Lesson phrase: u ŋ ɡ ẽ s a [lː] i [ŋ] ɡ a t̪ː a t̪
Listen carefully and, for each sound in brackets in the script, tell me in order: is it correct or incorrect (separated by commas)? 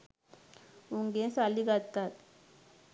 incorrect, incorrect